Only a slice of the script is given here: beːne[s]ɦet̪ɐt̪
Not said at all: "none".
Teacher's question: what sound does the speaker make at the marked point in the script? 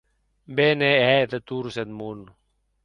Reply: none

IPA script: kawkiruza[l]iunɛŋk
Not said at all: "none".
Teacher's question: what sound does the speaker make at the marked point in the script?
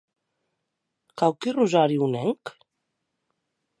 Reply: ɾ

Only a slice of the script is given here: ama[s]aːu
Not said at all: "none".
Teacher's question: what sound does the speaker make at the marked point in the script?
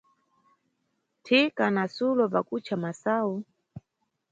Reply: s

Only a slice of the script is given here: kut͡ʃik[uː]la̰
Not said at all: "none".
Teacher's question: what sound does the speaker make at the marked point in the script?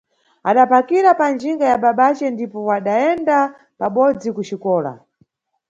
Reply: ɔː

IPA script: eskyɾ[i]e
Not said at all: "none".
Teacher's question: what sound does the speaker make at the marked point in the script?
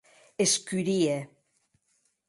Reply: i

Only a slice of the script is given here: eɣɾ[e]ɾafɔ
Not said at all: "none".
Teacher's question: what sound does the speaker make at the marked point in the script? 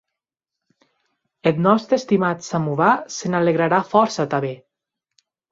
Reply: a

